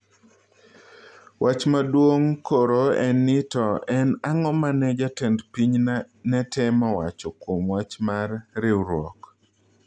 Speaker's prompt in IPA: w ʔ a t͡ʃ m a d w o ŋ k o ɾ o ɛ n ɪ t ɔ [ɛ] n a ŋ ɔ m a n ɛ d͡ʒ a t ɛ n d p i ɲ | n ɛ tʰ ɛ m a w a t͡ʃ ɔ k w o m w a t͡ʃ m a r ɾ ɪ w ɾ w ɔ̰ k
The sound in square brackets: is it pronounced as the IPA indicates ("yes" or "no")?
yes